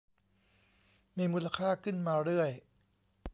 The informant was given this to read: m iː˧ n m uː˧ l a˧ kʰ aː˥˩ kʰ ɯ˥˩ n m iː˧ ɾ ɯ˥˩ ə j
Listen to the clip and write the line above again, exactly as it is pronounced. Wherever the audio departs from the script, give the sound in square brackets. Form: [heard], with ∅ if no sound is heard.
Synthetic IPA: m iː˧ [∅] m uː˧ l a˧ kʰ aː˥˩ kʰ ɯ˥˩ n m [aː˧] ɾ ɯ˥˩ ə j